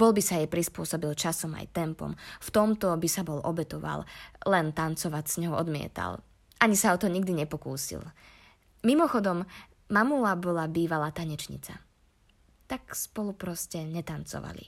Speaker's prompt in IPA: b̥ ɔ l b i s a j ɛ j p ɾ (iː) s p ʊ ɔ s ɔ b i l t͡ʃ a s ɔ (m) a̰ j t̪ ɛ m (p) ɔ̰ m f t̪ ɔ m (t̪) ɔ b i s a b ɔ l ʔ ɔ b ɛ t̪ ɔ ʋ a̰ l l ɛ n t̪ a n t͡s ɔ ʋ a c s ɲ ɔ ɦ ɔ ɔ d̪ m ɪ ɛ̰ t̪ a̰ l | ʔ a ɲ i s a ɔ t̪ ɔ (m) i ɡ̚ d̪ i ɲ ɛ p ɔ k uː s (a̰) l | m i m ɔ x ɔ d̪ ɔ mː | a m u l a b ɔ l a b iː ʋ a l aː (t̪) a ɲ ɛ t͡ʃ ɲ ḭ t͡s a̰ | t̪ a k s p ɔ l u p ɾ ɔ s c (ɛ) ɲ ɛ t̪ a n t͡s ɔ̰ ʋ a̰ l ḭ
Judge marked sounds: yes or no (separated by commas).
no, yes, yes, yes, no, no, yes, yes